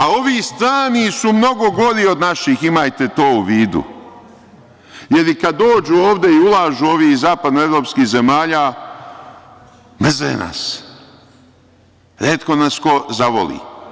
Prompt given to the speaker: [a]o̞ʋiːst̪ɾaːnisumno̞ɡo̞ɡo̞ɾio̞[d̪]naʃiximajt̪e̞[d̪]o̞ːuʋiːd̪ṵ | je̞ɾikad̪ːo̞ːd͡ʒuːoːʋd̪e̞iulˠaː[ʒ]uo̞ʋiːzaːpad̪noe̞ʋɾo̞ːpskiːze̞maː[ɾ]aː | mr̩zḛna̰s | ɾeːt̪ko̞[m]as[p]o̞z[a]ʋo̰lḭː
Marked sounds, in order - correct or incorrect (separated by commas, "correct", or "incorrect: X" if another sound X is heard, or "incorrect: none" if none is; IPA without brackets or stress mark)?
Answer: correct, correct, incorrect: t̪, correct, incorrect: ʎ, incorrect: n, incorrect: k, correct